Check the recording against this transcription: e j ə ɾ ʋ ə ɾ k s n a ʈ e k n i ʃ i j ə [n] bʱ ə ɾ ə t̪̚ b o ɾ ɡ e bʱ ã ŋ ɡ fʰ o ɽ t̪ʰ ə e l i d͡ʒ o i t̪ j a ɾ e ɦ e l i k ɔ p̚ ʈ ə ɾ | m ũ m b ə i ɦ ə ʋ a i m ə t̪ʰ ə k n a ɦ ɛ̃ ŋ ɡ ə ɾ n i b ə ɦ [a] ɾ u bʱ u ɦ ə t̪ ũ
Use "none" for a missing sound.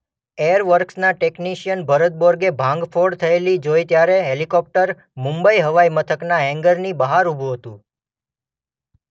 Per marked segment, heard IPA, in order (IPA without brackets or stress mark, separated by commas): n, a